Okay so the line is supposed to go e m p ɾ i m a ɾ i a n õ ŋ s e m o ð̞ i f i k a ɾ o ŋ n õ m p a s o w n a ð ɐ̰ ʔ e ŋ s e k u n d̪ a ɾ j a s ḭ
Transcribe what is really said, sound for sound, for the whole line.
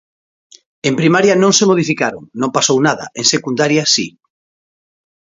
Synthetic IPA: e m p ɾ i m a ɾ j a n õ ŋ s e m o ð̞ i f i k a ɾ o ŋ n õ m p a s o w n a ð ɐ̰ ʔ e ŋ s e k u n d̪ a ɾ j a s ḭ